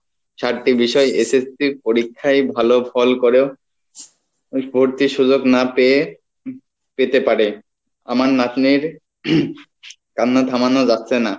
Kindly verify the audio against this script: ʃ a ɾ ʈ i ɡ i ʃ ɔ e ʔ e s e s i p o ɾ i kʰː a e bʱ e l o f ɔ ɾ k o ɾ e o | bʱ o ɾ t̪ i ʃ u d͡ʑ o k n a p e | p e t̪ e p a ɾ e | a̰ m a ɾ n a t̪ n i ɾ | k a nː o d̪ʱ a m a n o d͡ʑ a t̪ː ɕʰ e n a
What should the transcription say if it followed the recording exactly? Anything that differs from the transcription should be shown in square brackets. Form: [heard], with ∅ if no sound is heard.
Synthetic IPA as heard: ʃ a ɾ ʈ i [b] i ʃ ɔ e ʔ e s e s i p o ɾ i kʰː a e bʱ [a] l o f ɔ [l] k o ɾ e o | bʱ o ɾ t̪ i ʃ u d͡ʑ o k n a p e | p e t̪ e p a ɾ e | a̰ m a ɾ n a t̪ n i ɾ | k a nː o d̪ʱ a m a n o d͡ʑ a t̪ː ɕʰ e n a

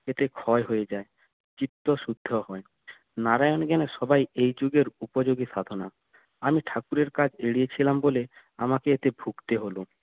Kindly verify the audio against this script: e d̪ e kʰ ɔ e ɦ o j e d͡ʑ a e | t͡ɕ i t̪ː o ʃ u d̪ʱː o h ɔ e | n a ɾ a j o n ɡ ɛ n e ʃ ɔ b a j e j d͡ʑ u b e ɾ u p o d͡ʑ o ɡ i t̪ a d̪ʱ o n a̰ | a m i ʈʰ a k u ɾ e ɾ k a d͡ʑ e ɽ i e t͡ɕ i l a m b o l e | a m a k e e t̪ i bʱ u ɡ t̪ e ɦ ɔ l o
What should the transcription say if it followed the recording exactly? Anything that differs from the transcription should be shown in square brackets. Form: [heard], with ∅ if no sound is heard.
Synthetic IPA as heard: e [t̪] e kʰ ɔ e ɦ o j e d͡ʑ a e | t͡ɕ i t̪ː o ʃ u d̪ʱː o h ɔ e | n a ɾ a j o n ɡ ɛ n e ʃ ɔ b a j e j d͡ʑ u [ɡ] e ɾ u p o d͡ʑ o ɡ i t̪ a d̪ʱ o n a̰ | a m i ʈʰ a k u ɾ e ɾ k a d͡ʑ e ɽ i e [t͡ɕʰ] i l a m b o l e | a m a k e e t̪ [e] bʱ u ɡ t̪ e ɦ [o] l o

